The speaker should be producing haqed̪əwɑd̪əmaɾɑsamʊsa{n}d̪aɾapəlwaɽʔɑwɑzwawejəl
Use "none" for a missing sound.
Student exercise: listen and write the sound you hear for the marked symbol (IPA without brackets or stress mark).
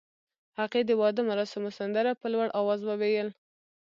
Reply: n